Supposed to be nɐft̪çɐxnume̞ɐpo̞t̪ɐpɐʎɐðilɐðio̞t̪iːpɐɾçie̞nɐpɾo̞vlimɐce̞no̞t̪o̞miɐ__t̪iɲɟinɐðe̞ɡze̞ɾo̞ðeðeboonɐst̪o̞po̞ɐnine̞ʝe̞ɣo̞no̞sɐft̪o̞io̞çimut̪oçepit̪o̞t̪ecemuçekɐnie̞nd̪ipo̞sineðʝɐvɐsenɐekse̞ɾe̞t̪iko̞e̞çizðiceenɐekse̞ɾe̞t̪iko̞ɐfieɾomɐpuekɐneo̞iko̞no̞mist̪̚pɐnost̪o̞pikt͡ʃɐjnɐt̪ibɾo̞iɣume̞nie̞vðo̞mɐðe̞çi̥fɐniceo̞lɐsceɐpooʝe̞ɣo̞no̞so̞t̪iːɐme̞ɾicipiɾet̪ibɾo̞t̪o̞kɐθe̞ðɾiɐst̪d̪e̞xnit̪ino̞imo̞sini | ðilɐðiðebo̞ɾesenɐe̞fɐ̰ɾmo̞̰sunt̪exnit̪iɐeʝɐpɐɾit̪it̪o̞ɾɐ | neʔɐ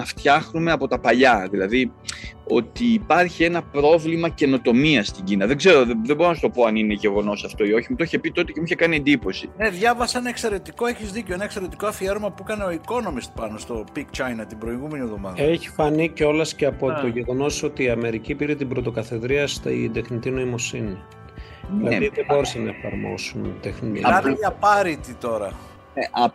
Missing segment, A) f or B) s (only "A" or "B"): B